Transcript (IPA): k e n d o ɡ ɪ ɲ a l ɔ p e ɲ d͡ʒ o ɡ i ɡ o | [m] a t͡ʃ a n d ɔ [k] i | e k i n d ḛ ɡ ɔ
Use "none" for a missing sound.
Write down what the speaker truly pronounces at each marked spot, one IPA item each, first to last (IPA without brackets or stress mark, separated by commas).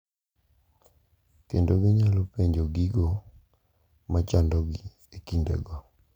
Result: m, ɡ